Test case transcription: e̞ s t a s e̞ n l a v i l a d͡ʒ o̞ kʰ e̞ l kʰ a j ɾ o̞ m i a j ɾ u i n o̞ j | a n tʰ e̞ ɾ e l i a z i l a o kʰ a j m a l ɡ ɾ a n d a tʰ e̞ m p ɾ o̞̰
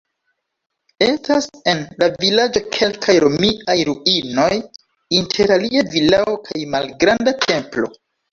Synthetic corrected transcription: e̞ s t a s e̞ n l a v i l a d͡ʒ o̞ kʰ e̞ l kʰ a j ɾ o̞ m i a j ɾ u i n o̞ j | i n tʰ e̞ ɾ a l i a v i l a o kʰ a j m a l ɡ ɾ a n d a tʰ e̞ m p l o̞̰

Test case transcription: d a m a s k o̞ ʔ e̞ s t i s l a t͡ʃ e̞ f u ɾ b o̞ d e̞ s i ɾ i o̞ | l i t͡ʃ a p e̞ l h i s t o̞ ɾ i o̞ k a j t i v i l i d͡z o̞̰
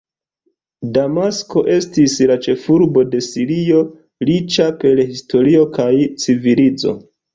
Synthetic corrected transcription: d a m a s k o̞ ʔ e̞ s t i s l a t͡ʃ e̞ f u ɾ b o̞ d e̞ s i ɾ i o̞ | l i t͡ʃ a p e̞ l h i s t o̞ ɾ i o̞ k a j t͡s i v i l i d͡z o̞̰

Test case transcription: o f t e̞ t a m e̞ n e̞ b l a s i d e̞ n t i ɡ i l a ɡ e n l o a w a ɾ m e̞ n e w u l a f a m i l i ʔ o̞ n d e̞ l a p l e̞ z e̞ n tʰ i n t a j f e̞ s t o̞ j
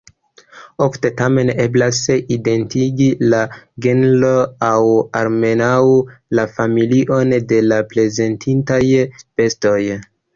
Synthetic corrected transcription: o f t e̞ t a m e̞ n e̞ b l a s i d e̞ n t i ɡ i l a ɡ e n l o a w a ɾ m e̞ n a w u l a f a m i l i ʔ o̞ n d e̞ l a p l e̞ z e̞ n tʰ i n t a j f e̞ s t o̞ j

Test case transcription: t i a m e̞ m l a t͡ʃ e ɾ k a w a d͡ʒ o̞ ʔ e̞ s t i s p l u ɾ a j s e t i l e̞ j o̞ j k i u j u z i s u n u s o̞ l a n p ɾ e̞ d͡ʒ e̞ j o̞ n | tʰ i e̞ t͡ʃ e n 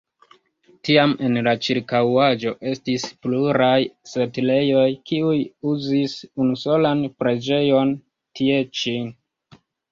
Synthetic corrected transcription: t i a m e̞ n l a t͡ʃ i ɾ k a w a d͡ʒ o̞ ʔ e̞ s t i s p l u ɾ a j s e t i l e̞ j o̞ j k i u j u z i s u n u s o̞ l a n p ɾ e̞ d͡ʒ e̞ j o̞ n | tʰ i e̞ t͡ʃ i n

